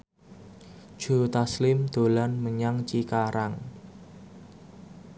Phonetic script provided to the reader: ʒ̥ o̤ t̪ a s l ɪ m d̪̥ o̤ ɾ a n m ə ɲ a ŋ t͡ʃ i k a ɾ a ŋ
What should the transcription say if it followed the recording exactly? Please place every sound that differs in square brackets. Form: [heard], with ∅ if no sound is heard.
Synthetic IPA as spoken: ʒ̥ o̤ t̪ a s l ɪ m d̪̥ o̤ [l] a n m ə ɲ a ŋ t͡ʃ i k a ɾ a ŋ